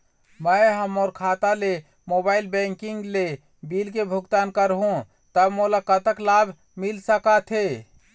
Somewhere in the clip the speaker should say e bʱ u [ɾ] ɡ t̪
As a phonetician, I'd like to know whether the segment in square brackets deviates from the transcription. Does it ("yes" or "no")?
yes